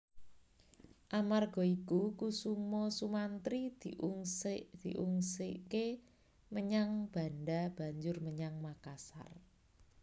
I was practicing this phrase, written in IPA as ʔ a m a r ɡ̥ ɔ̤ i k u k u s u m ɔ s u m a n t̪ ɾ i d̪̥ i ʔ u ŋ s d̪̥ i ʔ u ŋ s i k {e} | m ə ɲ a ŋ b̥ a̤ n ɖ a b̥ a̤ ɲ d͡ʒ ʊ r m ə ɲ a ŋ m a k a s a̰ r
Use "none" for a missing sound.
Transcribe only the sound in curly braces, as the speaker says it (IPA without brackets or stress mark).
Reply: e